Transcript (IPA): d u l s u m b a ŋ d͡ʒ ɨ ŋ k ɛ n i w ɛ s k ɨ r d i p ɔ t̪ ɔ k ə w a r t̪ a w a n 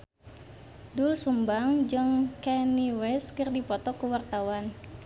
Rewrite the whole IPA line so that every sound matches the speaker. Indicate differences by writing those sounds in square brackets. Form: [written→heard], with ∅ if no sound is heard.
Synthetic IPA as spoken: d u l s u m b a ŋ d͡ʒ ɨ ŋ k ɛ n i w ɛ s k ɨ r d i p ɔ t̪ ɔ k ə w a r t̪ a w a n

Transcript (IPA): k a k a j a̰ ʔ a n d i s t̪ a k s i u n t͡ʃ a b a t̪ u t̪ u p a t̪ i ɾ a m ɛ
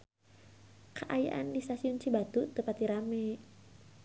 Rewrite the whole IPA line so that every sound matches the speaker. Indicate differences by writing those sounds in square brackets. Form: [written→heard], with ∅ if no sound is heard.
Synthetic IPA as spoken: k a [k→ʔ] a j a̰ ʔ a n d i s t̪ a [k→∅] s i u n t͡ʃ [a→i] b a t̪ u t̪ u p a t̪ i ɾ a m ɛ

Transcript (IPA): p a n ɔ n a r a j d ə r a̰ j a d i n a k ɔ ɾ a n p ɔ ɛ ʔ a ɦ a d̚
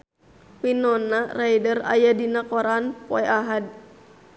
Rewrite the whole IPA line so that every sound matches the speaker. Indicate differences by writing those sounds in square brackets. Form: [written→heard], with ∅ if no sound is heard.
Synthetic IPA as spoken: p [a→i] n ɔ n a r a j d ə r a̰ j a d i n a k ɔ ɾ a n p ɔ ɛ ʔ a ɦ a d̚

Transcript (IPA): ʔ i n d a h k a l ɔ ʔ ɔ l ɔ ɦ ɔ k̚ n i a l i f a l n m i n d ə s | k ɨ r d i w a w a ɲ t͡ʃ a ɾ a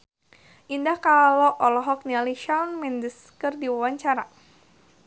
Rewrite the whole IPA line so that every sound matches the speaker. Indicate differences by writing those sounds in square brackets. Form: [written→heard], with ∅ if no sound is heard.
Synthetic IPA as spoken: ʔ i n d a h k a l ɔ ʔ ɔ l ɔ ɦ ɔ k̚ n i a l i [f→ʃ] a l n m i n d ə s | k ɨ r d i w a w a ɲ t͡ʃ a ɾ a

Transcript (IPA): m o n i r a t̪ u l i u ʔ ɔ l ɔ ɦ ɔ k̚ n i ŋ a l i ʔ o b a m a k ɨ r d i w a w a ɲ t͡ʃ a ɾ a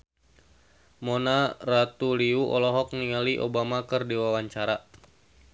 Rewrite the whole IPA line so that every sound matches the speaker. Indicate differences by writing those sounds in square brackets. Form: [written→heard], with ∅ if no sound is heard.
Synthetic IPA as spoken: m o n [i→a] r a t̪ u l i u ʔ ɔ l ɔ ɦ ɔ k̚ n i ŋ a l i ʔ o b a m a k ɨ r d i w a w a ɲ t͡ʃ a ɾ a

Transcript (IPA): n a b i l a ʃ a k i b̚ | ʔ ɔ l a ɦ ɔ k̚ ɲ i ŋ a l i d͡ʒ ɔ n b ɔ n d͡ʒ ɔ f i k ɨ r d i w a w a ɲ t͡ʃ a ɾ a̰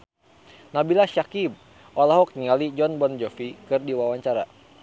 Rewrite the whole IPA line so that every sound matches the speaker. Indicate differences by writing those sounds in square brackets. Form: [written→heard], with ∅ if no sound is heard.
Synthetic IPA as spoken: n a b i l a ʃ a k i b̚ | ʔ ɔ l a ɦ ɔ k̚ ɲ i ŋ a l i d͡ʒ ɔ n b ɔ n d͡ʒ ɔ f i k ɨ r d i w a w a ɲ t͡ʃ a ɾ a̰

